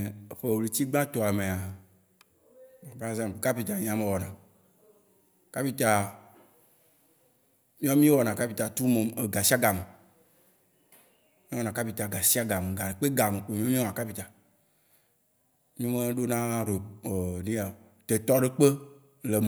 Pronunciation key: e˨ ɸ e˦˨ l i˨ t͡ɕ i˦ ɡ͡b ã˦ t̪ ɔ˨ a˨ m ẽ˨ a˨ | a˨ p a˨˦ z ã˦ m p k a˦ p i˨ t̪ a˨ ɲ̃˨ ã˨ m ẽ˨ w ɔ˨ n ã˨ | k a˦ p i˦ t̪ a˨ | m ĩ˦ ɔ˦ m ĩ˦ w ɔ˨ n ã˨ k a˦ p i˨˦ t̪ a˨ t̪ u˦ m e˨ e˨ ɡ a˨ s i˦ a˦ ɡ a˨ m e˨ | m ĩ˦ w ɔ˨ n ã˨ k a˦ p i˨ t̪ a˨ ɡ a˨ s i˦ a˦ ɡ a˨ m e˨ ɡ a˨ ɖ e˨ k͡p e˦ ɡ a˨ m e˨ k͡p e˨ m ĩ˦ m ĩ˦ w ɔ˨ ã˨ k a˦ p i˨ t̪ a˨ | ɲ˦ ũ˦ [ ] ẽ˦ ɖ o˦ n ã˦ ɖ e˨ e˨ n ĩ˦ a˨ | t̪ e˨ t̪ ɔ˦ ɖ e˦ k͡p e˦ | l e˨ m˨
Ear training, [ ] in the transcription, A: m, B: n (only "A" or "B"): A